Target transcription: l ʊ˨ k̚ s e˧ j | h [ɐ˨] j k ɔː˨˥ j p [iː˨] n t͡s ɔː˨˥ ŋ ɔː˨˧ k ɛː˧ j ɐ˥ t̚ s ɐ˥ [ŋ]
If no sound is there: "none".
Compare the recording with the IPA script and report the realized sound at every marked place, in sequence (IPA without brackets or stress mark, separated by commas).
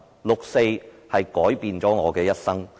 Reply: ɐ˨, iː˨, ŋ